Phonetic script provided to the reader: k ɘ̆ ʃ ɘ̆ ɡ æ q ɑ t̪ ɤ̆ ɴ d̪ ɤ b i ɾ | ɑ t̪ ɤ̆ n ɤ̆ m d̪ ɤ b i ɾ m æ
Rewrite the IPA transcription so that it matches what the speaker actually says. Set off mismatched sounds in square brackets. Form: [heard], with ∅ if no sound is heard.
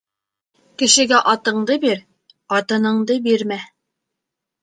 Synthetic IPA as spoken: k ɘ̆ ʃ ɘ̆ ɡ æ [ʔ] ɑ t̪ ɤ̆ ɴ d̪ ɤ b i ɾ | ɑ t̪ ɤ̆ n ɤ̆ [ɴ] d̪ ɤ b i ɾ m æ